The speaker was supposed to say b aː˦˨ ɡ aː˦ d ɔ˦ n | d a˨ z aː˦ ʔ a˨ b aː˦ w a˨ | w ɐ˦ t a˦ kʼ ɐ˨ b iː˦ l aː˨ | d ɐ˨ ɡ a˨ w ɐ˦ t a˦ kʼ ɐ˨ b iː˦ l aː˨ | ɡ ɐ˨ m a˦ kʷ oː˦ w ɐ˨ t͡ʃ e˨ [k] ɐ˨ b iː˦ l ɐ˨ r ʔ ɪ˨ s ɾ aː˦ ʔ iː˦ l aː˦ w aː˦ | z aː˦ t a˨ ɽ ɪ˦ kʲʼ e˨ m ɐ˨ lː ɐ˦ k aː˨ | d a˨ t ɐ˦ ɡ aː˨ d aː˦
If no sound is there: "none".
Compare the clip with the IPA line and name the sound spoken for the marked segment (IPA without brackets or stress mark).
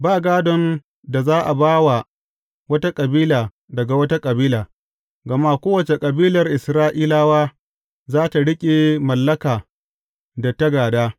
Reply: kʼ